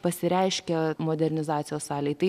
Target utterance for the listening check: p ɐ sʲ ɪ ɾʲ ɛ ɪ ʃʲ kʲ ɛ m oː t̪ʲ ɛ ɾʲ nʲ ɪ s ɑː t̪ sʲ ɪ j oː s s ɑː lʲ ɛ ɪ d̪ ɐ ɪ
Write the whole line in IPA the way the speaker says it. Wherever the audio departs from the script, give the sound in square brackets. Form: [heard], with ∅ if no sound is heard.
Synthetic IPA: p ɐ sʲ ɪ ɾʲ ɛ ɪ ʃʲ kʲ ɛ m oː [d̪ʲ] ɛ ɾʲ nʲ ɪ [z] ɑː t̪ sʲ ɪ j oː s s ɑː lʲ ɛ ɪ [t̪] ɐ ɪ

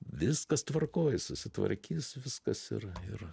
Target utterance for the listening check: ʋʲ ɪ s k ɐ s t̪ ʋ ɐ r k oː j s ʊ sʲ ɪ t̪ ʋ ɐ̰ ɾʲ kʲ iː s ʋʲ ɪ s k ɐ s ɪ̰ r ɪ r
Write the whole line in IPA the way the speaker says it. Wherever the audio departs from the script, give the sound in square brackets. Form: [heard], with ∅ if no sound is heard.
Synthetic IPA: ʋʲ ɪ s k ɐ s t̪ ʋ ɐ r k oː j s ʊ sʲ ɪ t̪ ʋ ɐ̰ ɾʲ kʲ iː s ʋʲ ɪ s k ɐ s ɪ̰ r ɪ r

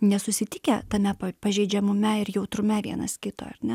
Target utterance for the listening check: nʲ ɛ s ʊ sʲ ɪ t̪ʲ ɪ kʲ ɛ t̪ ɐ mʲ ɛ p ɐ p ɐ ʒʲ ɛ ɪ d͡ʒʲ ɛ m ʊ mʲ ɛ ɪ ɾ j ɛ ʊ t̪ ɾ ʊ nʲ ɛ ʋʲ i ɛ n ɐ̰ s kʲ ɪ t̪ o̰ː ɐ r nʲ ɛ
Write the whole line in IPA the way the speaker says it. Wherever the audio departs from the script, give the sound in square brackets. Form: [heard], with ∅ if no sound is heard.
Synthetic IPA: nʲ ɛ s ʊ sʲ ɪ t̪ʲ ɪ kʲ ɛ t̪ ɐ mʲ ɛ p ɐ p ɐ ʒʲ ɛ ɪ d͡ʒʲ ɛ m ʊ mʲ ɛ ɪ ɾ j ɛ ʊ t̪ ɾ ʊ [mʲ] ɛ ʋʲ i ɛ n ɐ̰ s kʲ ɪ t̪ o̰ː ɐ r nʲ ɛ

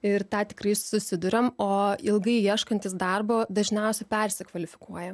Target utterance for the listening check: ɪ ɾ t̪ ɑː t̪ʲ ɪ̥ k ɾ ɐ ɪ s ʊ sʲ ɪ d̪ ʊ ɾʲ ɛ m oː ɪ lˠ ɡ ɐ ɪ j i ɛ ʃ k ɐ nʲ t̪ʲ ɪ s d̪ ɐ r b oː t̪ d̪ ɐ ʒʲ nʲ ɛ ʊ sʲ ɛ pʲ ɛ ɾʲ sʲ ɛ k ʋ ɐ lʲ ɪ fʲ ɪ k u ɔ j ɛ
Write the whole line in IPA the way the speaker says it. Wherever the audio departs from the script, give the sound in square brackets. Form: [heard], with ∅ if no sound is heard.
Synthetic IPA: ɪ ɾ t̪ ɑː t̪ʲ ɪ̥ k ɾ ɐ ɪ s ʊ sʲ ɪ d̪ ʊ ɾʲ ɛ m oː ɪ lˠ ɡ ɐ ɪ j i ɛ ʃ k ɐ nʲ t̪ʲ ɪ s d̪ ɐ r b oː [∅] d̪ ɐ ʒʲ nʲ ɛ ʊ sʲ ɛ pʲ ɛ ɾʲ sʲ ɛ k ʋ ɐ lʲ ɪ fʲ ɪ k u ɔ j ɛ

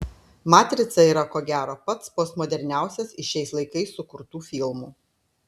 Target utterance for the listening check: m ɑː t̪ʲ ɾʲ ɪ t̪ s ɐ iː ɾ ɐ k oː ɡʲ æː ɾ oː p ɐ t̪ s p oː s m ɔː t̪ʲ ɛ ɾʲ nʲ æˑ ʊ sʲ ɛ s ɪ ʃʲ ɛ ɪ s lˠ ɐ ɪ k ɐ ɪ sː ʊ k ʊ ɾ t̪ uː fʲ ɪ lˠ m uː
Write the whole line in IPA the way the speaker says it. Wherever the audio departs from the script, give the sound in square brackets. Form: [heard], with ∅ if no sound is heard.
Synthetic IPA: m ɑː t̪ʲ ɾʲ ɪ t̪ s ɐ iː ɾ ɐ k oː ɡʲ æː ɾ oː p ɐ t̪ s p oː s m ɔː [d̪ʲ] ɛ ɾʲ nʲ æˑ ʊ sʲ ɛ s ɪ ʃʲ ɛ ɪ s lˠ ɐ ɪ k ɐ ɪ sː ʊ k ʊ ɾ t̪ uː fʲ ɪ lˠ m uː

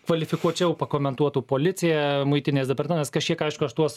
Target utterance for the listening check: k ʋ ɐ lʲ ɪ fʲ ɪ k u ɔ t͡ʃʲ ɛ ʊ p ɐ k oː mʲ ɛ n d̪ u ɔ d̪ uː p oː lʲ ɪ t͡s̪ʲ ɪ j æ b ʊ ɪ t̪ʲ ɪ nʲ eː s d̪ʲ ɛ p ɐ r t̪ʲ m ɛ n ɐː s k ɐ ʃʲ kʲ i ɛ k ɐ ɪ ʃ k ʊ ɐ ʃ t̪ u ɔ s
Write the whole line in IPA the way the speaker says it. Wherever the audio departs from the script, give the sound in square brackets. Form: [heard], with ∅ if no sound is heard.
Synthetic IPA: k ʋ ɐ lʲ ɪ fʲ ɪ k u ɔ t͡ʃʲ ɛ ʊ p ɐ k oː mʲ ɛ n [t̪] u ɔ [t̪] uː p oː lʲ ɪ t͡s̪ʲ ɪ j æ [m] ʊ ɪ t̪ʲ ɪ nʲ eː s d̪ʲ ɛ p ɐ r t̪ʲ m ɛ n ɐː s k ɐ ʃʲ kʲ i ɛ k ɐ ɪ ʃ k ʊ ɐ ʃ t̪ u ɔ s

